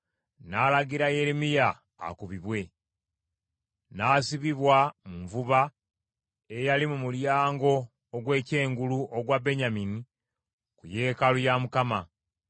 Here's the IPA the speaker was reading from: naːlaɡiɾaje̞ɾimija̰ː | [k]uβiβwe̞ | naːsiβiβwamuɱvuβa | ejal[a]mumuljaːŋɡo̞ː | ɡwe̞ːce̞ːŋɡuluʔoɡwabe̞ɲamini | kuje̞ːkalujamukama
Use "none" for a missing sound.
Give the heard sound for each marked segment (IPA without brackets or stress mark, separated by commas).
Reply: k, i